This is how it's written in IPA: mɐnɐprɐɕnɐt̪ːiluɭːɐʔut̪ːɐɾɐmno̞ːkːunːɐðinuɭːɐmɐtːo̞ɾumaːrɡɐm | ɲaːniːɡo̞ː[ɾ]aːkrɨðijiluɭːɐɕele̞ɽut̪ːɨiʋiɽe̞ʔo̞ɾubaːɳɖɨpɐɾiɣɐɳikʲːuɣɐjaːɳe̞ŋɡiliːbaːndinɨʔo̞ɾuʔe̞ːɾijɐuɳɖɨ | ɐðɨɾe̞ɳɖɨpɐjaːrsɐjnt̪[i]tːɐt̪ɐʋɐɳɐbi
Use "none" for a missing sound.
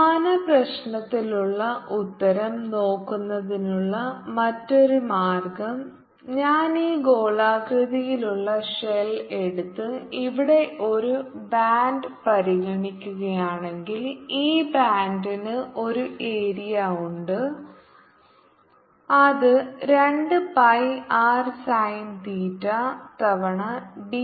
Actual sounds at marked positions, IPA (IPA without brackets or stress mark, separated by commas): ɭ, iː